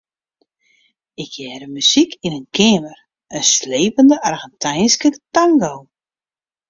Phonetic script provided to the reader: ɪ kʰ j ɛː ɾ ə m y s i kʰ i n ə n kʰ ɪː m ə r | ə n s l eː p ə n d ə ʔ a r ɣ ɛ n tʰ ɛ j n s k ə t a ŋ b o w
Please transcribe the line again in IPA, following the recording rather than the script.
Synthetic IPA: ɪ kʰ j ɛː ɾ ə m y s i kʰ i n ə n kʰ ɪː m ə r | ə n s l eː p ə n d ə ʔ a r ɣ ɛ n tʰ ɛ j n s k ə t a ŋ ɡ o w